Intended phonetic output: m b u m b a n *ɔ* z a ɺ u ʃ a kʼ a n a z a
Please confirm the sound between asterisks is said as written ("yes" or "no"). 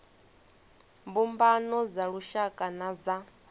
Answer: yes